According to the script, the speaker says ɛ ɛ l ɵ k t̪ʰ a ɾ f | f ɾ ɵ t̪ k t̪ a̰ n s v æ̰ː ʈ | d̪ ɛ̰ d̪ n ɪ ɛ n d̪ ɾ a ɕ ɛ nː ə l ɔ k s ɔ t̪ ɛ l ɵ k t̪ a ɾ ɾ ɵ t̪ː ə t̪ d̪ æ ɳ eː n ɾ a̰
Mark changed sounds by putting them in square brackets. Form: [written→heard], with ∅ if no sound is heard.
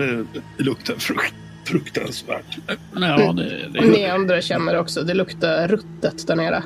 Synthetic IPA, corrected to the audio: ɛ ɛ l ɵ k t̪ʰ a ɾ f | f ɾ ɵ [t̪→∅] k t̪ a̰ n s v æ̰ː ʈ | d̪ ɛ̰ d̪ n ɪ [ɛ→a] n d̪ ɾ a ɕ ɛ nː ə [l→ɾ] ɔ k s ɔ [t̪→d̪] ɛ l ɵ k t̪ a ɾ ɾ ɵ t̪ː ə t̪ d̪ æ ɳ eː [n→∅] ɾ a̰